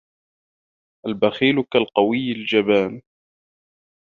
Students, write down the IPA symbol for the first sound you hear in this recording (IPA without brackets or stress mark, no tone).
ʔ